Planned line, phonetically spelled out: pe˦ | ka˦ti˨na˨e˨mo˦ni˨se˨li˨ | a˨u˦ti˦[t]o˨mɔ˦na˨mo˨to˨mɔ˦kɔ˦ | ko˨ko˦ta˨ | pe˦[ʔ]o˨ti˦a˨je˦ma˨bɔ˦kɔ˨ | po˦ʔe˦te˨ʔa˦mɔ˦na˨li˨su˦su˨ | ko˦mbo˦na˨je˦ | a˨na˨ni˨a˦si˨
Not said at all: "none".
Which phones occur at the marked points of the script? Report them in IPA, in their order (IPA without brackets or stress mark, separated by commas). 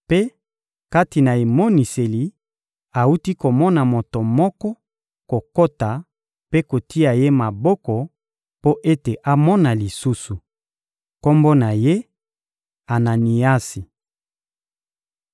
k, k